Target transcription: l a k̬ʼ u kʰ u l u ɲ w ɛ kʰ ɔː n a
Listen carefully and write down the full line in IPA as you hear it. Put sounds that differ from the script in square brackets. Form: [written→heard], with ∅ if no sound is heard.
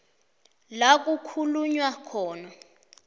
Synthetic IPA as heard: l a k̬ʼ u kʰ u l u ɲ w [ɛ→a] kʰ ɔː n a